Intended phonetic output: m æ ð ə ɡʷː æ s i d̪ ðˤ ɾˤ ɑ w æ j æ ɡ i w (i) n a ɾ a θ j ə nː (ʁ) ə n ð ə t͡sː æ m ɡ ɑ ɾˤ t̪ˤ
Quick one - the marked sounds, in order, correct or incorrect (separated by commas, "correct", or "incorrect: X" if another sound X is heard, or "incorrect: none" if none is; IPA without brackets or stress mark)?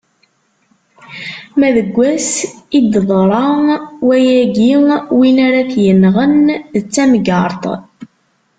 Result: correct, correct